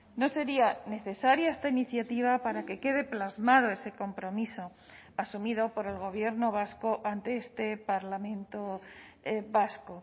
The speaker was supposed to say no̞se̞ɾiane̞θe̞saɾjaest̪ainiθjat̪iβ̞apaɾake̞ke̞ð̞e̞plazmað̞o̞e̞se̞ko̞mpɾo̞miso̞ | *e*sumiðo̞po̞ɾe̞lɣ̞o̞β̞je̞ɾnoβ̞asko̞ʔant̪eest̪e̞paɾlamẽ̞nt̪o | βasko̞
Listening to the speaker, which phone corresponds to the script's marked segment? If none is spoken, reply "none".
a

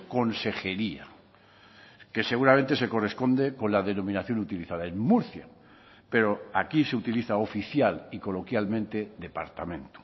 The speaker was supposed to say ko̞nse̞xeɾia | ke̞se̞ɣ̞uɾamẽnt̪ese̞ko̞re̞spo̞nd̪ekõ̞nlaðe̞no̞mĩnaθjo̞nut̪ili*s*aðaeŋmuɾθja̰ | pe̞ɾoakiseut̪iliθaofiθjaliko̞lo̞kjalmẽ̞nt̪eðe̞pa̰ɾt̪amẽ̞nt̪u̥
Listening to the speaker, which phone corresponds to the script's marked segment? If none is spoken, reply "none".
θ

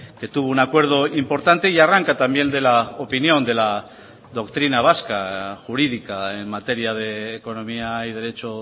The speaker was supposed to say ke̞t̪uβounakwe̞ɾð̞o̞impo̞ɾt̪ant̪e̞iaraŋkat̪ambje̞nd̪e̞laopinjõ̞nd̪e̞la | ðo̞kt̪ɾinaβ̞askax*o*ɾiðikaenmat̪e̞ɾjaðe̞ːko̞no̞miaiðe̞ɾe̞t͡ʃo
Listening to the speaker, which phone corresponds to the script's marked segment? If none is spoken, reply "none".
u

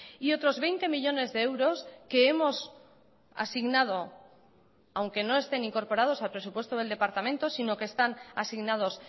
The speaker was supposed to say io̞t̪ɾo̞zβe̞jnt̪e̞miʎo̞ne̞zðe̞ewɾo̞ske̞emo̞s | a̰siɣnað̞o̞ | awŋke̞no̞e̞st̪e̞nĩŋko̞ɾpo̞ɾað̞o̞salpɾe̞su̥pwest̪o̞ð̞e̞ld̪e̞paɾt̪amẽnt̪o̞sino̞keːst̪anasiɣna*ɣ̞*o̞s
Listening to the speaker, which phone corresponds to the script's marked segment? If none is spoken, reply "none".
ð̞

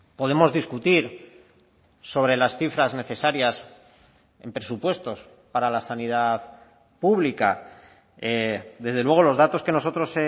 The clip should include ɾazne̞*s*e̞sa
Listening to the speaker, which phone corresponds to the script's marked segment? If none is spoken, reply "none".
θ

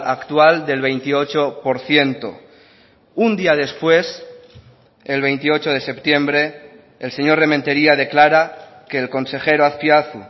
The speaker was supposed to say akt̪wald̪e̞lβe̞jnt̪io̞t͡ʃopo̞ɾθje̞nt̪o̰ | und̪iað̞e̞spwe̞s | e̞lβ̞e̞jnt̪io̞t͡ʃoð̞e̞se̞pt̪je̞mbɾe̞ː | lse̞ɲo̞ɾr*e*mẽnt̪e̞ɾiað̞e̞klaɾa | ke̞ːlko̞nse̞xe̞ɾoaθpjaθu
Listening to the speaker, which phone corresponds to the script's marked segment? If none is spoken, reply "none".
e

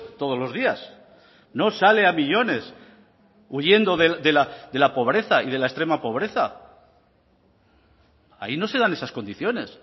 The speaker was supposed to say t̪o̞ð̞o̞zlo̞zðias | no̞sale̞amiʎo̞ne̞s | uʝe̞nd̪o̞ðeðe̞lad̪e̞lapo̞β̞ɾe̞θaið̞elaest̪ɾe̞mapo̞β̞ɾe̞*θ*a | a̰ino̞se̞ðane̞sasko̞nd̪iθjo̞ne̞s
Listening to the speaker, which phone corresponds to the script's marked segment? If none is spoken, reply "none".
θ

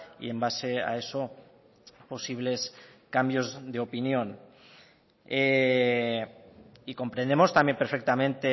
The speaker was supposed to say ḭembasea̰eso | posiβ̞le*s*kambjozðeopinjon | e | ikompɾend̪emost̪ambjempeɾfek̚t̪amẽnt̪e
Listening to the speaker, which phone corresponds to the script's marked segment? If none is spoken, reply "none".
s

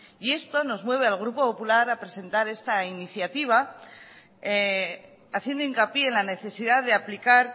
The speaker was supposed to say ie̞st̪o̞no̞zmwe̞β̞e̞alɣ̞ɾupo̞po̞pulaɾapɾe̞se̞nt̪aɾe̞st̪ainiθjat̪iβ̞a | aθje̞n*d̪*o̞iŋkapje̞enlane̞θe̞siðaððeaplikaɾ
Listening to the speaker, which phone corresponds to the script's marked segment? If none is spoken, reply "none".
d̪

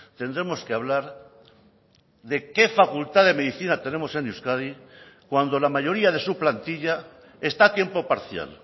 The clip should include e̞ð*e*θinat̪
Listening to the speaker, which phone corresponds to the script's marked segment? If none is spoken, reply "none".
i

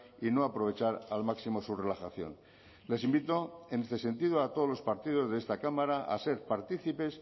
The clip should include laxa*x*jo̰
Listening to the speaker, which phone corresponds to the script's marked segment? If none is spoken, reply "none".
θ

